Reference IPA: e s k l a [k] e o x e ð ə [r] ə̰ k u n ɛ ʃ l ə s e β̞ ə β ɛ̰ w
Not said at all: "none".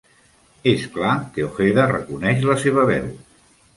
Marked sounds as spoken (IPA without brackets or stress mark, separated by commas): k, r